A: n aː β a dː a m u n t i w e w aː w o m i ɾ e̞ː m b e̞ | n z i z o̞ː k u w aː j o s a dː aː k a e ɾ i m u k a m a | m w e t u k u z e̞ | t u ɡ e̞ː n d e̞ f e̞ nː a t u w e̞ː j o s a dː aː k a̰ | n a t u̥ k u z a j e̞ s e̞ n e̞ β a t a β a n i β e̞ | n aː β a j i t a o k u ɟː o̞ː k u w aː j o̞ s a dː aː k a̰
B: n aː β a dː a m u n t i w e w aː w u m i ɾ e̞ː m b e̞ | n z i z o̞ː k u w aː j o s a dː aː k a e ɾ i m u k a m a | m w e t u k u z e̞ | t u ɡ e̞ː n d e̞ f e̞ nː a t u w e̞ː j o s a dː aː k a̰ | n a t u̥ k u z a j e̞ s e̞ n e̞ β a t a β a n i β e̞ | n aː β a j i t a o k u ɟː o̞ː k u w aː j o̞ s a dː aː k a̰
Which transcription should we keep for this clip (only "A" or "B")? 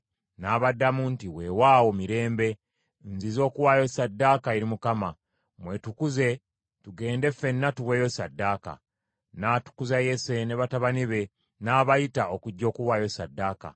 A